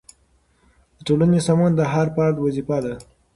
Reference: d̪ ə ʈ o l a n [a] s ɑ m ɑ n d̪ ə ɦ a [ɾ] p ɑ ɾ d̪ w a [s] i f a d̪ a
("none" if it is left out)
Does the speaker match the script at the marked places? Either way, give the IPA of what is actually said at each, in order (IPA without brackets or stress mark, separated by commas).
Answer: e, ɾ, z